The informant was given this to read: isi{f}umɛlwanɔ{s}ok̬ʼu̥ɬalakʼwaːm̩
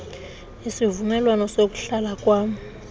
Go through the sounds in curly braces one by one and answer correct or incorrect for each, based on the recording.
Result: incorrect: v, correct

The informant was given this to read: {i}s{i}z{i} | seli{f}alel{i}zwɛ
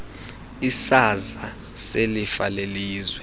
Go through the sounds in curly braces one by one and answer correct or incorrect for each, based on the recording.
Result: correct, incorrect: a, incorrect: a, correct, incorrect: iː

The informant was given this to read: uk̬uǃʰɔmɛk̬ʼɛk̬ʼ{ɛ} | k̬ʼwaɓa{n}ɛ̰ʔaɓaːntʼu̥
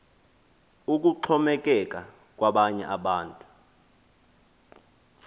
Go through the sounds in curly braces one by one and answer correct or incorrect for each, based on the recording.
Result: incorrect: a, incorrect: ɲ

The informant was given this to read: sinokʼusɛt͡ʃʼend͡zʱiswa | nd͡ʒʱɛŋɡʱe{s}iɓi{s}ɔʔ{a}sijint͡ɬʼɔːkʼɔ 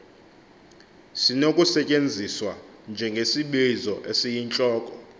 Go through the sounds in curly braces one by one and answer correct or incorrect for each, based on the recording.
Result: correct, incorrect: z, incorrect: e

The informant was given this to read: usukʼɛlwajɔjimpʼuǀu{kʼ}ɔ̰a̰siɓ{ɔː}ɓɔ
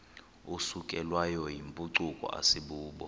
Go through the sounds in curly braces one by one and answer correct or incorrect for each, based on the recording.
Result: correct, incorrect: uː

